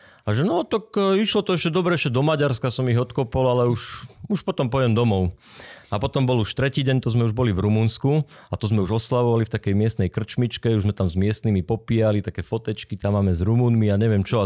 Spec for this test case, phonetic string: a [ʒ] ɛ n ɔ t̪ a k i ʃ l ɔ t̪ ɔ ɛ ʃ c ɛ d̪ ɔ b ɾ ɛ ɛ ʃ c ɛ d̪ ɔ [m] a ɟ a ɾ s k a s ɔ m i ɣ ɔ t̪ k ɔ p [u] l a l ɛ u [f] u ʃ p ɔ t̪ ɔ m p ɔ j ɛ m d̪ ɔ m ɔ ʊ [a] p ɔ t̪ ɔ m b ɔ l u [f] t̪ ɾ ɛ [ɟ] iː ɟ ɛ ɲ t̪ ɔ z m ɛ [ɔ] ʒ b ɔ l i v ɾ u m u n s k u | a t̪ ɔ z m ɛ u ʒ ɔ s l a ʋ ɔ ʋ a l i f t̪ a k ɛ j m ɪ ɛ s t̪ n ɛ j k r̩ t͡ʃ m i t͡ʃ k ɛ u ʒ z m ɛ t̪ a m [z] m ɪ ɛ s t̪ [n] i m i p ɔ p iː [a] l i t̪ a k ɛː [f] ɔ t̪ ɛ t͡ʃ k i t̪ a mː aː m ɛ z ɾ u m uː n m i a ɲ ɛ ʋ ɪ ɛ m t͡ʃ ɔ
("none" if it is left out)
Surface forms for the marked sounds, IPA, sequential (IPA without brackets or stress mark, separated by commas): ʒ, m, ɔ, ʃ, a, ʃ, c, u, z, n, a, f